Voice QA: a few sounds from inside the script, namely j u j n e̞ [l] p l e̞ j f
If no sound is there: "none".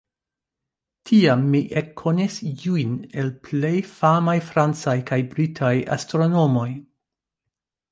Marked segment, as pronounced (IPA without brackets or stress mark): l